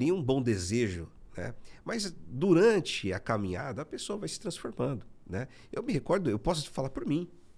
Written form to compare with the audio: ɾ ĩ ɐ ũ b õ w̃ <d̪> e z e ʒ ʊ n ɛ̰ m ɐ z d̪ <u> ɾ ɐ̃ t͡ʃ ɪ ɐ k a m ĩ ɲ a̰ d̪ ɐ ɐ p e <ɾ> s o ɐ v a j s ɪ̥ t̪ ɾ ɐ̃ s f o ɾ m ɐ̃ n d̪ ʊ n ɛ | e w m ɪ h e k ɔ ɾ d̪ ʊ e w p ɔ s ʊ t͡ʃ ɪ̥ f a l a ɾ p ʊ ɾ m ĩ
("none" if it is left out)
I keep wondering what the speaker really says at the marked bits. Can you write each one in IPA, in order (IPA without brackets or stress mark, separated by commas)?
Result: d̪, u, none